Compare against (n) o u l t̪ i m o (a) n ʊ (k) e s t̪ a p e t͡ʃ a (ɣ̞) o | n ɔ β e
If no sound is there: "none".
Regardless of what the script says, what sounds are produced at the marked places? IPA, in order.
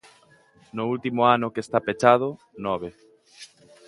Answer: n, a, k, ð̞

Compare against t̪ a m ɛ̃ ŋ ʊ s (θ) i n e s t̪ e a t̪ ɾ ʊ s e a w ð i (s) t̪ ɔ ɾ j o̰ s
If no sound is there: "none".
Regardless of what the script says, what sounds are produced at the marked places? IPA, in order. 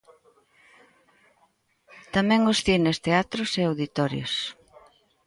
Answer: θ, none

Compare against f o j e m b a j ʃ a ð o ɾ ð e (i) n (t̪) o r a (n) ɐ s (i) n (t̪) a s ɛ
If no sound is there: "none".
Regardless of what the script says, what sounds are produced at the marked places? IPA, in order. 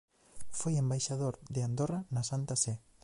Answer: a, d̪, n, a, t̪

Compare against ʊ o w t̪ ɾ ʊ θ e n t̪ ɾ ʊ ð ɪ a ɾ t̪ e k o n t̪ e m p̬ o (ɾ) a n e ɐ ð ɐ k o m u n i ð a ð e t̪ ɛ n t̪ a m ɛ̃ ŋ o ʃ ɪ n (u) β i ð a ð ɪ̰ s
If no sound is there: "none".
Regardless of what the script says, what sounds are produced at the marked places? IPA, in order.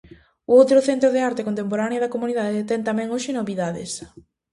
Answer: ɾ, o

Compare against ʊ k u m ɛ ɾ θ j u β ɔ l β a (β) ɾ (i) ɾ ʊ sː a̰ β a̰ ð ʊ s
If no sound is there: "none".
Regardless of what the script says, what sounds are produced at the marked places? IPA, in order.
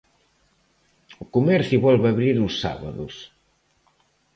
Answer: β, i

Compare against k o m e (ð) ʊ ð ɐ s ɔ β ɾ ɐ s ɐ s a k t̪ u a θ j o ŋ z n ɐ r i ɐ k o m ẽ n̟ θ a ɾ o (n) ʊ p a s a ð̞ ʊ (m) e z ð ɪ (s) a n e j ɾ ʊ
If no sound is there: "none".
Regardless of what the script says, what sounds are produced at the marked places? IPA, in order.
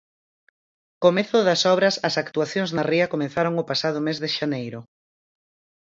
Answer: θ, ŋ, m, ʃ

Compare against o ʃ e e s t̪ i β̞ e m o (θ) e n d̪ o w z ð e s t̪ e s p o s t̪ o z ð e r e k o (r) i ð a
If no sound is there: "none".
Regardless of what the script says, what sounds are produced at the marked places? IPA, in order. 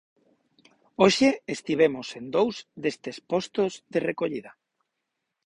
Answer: s, ʎ

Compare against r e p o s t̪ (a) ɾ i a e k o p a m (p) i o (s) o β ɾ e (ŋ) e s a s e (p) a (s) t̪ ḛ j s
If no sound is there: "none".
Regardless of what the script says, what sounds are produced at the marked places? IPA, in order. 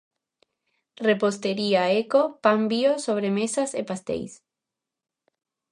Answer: e, b, s, m, p, s

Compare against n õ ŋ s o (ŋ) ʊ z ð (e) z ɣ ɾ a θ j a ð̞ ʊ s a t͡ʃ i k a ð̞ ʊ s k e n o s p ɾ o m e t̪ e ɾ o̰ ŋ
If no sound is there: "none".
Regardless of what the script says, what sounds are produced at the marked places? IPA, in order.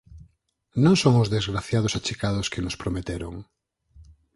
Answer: ŋ, e

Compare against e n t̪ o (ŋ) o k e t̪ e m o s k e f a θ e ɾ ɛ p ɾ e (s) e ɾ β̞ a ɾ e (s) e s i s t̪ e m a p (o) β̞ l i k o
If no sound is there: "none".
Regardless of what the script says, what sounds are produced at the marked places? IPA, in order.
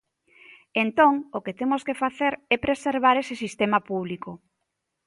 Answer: ŋ, s, s, u

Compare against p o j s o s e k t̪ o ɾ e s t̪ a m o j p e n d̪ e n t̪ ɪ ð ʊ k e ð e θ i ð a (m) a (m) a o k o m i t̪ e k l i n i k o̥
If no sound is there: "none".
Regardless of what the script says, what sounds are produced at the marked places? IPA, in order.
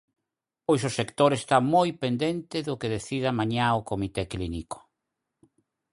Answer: m, ɲ

